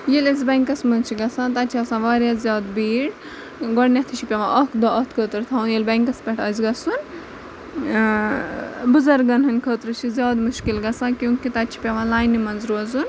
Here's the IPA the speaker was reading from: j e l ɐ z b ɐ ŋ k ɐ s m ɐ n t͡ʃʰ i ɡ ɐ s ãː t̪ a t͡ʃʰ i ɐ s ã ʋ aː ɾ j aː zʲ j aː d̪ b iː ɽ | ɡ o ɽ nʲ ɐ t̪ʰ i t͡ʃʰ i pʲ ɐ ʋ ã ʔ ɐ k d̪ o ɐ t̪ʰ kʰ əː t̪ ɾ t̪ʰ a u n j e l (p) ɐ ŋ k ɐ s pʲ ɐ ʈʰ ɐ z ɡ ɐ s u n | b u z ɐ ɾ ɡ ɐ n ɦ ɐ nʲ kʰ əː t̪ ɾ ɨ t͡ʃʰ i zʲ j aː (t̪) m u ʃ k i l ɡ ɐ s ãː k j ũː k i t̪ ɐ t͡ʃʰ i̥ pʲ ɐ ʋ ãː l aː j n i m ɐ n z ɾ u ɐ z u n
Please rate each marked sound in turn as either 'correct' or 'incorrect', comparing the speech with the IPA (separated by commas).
incorrect, incorrect